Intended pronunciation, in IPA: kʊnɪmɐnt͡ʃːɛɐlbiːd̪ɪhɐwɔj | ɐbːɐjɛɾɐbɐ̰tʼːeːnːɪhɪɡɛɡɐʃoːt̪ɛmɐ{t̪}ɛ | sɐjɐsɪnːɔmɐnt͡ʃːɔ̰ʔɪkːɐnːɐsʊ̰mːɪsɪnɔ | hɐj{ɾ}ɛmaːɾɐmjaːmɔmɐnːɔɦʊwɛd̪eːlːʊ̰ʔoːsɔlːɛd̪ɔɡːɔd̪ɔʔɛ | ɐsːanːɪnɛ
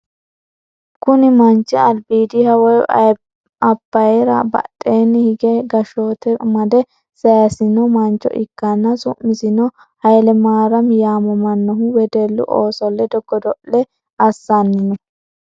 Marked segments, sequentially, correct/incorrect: incorrect: d̪, incorrect: l

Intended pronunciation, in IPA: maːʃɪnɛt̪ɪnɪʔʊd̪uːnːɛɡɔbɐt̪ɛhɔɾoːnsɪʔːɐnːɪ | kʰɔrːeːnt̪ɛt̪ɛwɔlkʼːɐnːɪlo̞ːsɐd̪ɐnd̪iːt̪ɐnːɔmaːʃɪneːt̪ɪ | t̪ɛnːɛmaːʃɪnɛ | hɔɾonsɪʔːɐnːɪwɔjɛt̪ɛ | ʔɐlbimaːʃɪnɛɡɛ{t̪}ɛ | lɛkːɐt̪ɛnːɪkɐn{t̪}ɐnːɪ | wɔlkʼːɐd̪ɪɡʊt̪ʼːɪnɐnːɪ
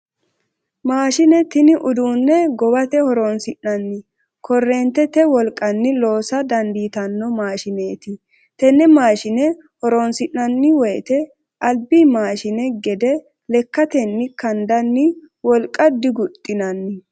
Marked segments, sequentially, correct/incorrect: incorrect: d̪, incorrect: d̪

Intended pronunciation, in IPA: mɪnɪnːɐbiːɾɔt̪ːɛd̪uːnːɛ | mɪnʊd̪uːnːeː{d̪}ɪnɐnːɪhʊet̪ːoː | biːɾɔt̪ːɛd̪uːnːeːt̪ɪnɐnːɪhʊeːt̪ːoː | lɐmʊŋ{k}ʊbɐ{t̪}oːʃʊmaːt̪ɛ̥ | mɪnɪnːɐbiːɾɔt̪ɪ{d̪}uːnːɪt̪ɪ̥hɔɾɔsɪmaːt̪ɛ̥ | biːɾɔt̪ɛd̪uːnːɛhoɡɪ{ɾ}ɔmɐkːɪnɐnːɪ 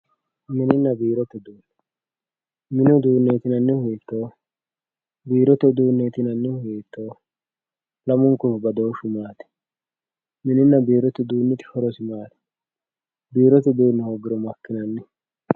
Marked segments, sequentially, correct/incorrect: incorrect: t̪, correct, incorrect: d̪, correct, correct

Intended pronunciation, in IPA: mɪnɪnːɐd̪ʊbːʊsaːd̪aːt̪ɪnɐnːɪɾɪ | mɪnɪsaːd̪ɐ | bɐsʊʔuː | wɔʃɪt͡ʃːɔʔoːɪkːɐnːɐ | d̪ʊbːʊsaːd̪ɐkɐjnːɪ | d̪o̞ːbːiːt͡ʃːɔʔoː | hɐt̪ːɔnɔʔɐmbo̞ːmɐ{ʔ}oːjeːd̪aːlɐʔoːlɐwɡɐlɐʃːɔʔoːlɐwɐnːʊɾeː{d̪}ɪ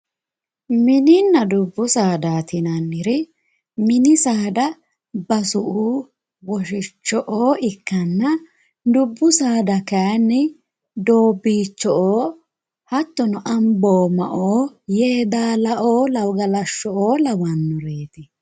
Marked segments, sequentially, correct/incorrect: correct, incorrect: t̪

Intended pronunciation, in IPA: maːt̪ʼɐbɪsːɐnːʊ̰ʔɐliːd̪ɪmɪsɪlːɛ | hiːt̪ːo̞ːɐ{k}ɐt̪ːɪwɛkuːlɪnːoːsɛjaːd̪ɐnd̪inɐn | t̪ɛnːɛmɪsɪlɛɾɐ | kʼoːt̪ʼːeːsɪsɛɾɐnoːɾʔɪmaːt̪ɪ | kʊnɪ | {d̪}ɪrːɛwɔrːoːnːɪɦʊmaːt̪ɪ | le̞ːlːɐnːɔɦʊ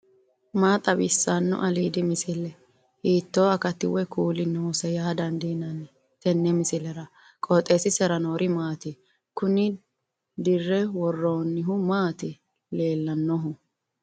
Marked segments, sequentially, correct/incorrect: correct, correct

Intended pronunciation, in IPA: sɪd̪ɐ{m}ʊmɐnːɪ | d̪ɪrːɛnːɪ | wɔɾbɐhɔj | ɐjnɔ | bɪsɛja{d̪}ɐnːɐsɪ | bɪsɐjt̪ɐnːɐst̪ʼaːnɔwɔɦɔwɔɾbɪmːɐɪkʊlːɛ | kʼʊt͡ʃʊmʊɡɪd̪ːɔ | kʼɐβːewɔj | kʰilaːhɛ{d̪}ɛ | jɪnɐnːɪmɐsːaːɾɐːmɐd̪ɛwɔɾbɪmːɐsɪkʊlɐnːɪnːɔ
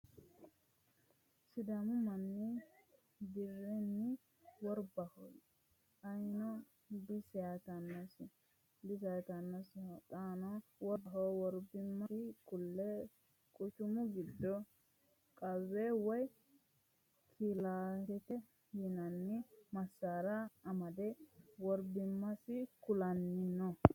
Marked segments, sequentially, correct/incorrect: correct, incorrect: t̪, incorrect: t̪

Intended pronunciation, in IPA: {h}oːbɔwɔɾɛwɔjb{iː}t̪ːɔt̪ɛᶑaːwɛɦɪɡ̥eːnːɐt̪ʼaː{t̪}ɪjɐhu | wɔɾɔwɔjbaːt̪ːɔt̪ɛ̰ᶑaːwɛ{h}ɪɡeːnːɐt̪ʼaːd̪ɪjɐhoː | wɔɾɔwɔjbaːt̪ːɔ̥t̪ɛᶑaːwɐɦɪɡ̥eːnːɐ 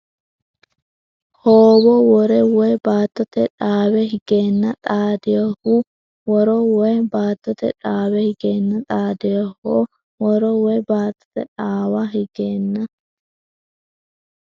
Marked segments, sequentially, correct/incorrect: correct, incorrect: aː, incorrect: d̪, correct

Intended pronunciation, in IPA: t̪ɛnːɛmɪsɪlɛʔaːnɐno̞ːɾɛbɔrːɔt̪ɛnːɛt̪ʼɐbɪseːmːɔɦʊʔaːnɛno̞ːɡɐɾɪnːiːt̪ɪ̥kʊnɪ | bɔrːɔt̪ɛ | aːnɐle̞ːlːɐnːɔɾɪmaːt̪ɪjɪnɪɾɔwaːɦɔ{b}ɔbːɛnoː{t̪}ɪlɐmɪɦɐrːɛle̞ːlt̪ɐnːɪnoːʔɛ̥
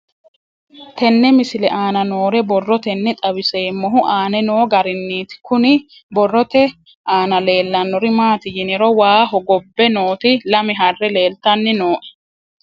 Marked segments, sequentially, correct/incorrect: incorrect: ɡ, correct

